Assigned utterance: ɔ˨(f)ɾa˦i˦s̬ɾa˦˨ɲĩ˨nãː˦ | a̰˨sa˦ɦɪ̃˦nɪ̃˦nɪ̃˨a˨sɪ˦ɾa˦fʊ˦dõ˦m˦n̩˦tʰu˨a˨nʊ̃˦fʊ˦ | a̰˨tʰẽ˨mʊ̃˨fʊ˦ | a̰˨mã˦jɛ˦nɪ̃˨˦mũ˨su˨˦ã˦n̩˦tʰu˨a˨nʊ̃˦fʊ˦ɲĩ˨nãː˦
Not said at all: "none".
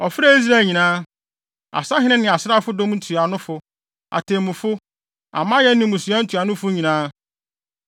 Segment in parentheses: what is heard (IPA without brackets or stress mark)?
f